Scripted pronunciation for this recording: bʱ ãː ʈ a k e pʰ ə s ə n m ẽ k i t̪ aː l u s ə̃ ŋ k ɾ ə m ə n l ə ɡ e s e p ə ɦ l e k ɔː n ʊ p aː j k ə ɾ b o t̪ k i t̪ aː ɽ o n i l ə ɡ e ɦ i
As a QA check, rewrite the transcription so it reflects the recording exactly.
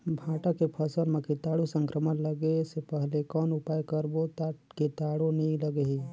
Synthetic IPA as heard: bʱ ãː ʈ a k e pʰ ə s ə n m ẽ k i t̪ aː ɽ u s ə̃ ŋ k ɾ ə m ə n l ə ɡ e s e p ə ɦ l e k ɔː n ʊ p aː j k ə ɾ b o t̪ k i t̪ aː ɽ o n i l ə ɡ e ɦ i